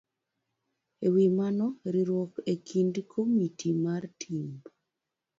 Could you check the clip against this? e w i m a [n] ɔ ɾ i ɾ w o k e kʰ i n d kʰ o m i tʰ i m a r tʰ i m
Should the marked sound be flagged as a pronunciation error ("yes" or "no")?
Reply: no